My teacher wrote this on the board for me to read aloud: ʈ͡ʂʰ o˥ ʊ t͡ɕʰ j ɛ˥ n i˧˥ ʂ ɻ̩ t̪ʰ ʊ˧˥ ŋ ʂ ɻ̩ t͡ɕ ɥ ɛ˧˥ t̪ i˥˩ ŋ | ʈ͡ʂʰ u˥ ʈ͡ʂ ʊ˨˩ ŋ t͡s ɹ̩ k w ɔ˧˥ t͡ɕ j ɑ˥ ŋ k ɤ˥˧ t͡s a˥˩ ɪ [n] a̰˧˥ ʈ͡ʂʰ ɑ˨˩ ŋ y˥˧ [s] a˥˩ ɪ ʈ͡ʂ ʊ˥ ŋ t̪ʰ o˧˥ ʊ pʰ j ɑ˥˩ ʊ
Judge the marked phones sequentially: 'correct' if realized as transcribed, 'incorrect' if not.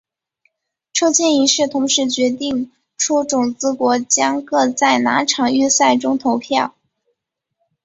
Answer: correct, correct

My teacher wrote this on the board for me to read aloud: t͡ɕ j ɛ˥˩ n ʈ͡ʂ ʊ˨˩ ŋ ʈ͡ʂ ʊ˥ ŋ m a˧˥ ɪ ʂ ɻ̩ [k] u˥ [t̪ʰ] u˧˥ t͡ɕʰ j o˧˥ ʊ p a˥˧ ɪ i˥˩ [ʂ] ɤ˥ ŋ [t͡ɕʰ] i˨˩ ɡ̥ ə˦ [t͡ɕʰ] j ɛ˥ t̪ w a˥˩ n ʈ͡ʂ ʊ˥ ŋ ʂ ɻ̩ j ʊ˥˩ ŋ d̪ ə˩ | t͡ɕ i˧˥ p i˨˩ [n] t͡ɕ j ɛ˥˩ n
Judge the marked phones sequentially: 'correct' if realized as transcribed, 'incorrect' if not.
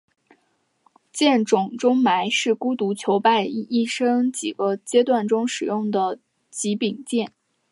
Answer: correct, incorrect: t̪, correct, incorrect: t͡ɕ, incorrect: t͡ɕ, incorrect: ŋ

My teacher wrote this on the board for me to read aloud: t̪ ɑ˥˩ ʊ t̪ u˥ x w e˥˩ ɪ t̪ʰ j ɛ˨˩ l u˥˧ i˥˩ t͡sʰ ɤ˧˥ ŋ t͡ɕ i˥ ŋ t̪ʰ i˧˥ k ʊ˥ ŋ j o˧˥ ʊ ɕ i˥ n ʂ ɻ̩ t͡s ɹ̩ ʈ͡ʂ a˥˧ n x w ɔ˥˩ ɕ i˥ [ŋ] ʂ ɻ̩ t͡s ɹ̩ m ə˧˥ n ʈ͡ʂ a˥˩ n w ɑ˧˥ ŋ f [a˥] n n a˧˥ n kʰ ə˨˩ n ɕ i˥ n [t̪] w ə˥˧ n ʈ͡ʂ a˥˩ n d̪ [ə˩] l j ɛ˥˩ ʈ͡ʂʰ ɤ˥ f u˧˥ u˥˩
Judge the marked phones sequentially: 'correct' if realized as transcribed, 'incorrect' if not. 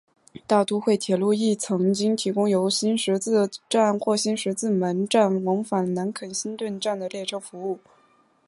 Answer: incorrect: n, incorrect: a˨˩, correct, correct

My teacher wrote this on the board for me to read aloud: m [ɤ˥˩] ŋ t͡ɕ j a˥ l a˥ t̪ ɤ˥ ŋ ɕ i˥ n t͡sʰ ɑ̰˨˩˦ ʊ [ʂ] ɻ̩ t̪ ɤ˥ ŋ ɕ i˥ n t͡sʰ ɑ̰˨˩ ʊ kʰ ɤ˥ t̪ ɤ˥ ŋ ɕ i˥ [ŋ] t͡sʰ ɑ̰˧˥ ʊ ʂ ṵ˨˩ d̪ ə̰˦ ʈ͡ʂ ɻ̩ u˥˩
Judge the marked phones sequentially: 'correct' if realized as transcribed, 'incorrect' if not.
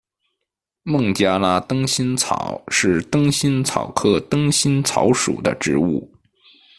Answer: correct, correct, incorrect: n

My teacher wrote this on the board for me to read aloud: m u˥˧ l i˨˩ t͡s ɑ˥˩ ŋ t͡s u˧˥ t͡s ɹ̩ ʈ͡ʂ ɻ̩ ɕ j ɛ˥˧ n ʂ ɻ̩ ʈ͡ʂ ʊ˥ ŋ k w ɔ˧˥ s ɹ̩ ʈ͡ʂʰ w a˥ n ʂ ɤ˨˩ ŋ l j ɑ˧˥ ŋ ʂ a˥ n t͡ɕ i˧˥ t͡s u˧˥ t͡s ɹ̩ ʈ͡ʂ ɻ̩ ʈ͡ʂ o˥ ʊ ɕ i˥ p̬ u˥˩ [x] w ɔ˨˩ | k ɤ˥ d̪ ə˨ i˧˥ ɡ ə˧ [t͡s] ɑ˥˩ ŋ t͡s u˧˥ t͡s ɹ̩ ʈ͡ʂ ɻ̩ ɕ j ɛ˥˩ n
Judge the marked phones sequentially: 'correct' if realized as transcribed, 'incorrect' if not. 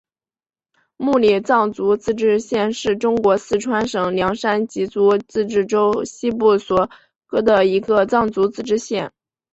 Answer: incorrect: s, correct

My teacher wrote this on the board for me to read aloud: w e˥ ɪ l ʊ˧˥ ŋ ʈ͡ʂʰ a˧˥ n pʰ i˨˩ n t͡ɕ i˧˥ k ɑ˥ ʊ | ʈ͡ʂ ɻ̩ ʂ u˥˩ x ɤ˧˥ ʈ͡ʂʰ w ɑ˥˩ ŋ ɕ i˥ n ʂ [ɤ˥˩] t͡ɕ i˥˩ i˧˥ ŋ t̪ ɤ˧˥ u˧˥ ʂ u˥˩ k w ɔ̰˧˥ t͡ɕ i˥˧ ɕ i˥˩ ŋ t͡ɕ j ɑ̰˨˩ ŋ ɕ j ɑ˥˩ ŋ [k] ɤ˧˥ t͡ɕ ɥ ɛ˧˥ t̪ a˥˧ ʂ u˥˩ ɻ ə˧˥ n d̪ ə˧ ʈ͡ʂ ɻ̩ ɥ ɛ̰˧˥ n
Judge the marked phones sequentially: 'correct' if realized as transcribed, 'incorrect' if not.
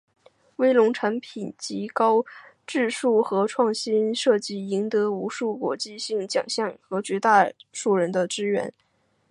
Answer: correct, incorrect: x

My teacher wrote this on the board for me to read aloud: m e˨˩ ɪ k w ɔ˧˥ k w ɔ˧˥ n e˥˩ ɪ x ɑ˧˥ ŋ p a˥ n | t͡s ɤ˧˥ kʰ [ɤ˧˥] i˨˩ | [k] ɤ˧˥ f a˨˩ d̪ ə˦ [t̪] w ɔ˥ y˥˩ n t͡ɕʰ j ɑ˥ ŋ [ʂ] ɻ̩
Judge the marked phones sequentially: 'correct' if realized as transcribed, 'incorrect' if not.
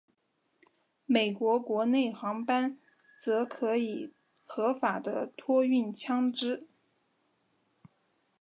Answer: correct, incorrect: x, incorrect: t̪ʰ, incorrect: ʈ͡ʂ

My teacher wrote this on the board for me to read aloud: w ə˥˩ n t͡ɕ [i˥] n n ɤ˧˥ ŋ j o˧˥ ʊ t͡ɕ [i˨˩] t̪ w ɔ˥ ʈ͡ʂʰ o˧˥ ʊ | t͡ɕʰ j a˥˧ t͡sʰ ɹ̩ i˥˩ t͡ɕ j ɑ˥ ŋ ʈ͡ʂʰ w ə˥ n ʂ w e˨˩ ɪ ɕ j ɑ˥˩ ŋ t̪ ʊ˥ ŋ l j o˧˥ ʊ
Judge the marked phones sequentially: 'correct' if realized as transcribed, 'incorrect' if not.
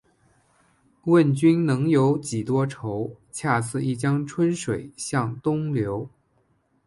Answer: incorrect: y˥, correct

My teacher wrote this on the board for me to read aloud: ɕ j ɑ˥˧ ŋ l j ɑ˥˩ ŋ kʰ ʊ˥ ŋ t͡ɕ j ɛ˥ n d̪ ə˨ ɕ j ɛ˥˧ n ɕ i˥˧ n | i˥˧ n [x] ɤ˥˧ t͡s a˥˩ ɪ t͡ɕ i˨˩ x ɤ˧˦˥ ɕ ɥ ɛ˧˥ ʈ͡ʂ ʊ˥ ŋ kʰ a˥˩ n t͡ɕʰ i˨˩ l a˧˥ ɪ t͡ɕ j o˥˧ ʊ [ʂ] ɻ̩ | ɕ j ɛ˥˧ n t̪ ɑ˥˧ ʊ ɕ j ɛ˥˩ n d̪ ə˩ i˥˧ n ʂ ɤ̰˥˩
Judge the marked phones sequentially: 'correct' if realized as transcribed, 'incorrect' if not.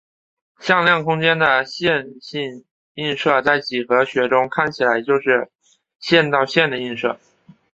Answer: incorrect: ʂ, correct

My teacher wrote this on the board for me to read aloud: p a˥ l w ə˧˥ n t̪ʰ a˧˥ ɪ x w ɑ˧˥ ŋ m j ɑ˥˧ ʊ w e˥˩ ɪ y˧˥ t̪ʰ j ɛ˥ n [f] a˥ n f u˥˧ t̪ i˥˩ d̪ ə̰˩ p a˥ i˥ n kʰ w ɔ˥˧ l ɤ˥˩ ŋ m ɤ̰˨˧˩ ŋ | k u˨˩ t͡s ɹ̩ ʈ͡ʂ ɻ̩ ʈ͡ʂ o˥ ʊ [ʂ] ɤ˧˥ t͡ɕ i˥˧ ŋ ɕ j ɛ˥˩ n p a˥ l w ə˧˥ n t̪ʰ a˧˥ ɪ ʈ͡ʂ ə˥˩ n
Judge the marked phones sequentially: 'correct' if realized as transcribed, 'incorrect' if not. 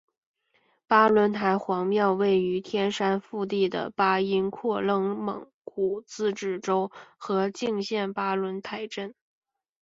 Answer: incorrect: ʂ, incorrect: x

